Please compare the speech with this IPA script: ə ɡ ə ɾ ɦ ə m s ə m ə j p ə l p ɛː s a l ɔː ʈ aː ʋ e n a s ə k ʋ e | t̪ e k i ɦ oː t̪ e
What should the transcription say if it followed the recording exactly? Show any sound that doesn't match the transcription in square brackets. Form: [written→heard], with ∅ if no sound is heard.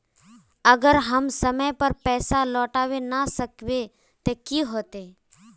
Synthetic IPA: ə ɡ ə ɾ ɦ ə m s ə m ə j p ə [l→ɾ] p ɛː s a l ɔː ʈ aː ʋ e n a s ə k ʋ e | t̪ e k i ɦ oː t̪ e